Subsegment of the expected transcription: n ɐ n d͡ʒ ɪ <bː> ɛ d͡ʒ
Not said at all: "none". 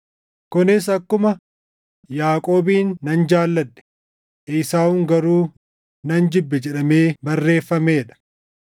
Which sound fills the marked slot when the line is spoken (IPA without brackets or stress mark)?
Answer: bː